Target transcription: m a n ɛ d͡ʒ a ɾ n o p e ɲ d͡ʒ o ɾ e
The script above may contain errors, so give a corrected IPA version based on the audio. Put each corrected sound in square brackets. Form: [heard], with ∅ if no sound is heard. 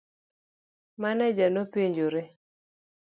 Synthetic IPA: m a n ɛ d͡ʒ a [∅] n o p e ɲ d͡ʒ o ɾ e